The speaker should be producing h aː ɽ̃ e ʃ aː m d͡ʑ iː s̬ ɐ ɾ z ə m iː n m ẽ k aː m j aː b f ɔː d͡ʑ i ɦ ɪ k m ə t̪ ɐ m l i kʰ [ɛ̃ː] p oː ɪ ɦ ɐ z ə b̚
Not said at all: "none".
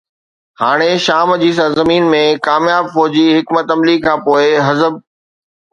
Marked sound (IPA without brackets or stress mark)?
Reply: ãː